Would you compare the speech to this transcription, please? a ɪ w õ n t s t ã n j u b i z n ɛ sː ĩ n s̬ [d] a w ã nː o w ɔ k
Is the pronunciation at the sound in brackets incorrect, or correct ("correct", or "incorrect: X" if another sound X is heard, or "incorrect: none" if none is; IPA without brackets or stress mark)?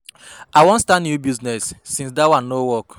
correct